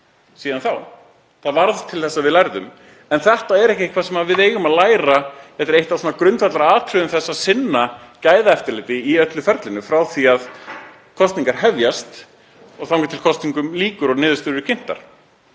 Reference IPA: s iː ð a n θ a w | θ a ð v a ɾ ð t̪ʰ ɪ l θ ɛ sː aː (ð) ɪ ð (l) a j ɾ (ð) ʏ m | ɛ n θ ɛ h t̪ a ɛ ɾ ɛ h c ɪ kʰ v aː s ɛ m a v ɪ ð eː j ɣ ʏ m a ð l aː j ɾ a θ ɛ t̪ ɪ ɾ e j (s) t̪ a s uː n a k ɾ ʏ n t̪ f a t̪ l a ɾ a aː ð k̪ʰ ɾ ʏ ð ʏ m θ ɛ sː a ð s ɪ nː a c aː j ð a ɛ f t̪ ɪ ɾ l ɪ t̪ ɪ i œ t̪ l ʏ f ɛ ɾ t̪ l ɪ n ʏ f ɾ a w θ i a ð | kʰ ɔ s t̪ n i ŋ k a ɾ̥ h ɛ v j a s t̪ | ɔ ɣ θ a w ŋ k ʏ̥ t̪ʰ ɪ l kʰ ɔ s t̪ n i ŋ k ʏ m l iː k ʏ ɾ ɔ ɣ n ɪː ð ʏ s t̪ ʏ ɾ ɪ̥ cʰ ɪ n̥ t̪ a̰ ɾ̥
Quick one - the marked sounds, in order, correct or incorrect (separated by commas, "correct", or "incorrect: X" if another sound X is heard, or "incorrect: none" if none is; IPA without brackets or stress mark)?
incorrect: v, correct, correct, incorrect: h